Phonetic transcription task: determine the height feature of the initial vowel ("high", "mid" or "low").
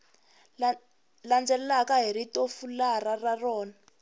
low